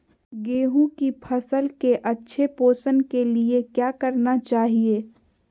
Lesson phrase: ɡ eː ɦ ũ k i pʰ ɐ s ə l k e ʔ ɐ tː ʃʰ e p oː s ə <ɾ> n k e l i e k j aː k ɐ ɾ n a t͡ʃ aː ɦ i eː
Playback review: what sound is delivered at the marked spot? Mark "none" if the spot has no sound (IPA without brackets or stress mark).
none